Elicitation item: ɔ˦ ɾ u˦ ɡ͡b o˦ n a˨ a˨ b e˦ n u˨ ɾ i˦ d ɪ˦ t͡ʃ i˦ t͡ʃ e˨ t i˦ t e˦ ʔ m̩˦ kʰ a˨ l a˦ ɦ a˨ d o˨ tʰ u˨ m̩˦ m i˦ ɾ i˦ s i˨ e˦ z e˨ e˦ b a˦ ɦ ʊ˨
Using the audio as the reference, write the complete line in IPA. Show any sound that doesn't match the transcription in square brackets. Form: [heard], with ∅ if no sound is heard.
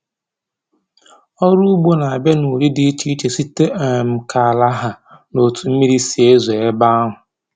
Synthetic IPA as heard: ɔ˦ ɾ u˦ ɡ͡b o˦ n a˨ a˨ b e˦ n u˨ ɾ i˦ d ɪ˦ t͡ʃ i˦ t͡ʃ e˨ [s] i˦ t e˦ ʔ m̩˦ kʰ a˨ l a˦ ɦ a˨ [n] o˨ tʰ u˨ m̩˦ m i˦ ɾ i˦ s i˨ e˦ z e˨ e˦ b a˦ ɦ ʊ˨